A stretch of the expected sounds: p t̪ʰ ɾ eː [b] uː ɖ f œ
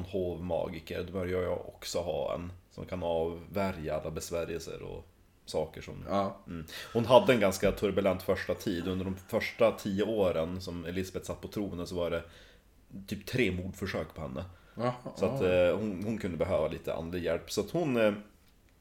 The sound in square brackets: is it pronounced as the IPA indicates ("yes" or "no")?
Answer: no